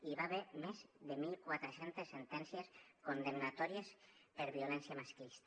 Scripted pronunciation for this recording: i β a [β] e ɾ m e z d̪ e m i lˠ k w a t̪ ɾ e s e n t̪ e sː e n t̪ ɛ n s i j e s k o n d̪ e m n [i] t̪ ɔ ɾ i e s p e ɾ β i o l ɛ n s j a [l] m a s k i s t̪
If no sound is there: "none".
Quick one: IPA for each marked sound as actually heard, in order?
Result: β, a, none

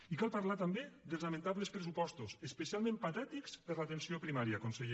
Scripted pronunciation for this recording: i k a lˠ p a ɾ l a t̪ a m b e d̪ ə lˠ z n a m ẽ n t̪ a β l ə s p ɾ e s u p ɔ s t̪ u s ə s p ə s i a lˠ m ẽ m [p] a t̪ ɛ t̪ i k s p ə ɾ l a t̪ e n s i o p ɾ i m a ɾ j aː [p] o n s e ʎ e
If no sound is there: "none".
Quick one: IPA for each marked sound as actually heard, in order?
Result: p, k

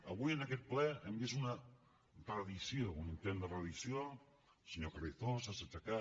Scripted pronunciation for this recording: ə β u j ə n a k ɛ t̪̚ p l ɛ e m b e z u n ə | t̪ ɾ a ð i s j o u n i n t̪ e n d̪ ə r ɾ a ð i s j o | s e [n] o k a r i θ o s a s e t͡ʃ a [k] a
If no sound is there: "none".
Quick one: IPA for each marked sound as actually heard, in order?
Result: ɲ, k

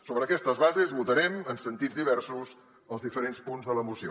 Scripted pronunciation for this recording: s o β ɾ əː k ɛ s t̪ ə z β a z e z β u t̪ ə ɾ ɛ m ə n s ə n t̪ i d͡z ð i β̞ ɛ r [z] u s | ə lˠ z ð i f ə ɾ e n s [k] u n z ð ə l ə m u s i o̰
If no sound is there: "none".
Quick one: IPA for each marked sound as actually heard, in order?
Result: s, p

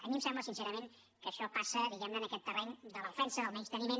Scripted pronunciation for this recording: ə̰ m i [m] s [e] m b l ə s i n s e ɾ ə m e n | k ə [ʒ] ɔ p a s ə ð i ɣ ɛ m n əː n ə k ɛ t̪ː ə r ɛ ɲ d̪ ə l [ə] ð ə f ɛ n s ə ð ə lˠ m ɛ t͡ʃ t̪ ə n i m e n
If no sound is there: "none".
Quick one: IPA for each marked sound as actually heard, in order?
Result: m, ɛ, ʃ, ə

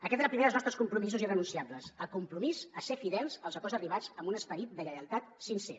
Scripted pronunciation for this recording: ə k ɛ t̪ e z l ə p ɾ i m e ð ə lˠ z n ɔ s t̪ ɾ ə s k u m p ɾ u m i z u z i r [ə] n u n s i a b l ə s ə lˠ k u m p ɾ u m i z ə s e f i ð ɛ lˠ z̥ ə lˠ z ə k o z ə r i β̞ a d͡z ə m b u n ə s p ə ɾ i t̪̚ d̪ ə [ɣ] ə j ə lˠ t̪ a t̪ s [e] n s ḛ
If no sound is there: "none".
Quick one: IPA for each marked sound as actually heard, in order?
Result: ə, ɣ, i

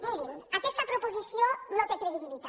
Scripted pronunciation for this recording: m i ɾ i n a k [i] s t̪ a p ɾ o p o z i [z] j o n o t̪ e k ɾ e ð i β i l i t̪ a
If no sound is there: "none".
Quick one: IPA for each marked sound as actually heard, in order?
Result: e, s

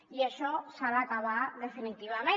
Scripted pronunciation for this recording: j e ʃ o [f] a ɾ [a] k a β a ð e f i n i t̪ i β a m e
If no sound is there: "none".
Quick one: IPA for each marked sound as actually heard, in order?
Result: s, a

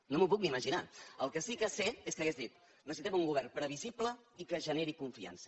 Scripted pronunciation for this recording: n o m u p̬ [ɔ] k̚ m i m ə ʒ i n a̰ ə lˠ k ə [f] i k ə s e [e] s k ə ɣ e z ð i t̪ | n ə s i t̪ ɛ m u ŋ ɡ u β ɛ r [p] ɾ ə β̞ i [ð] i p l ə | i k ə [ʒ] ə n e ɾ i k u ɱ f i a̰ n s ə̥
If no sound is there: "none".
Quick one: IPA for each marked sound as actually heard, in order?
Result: u, s, e, p, z, ʒ

